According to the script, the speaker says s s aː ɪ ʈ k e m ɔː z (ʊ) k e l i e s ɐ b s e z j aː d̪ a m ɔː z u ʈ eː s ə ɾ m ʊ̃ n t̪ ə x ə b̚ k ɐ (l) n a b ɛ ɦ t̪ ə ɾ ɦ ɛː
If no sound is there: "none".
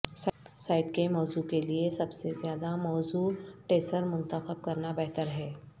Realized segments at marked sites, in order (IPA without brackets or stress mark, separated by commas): u, ɾ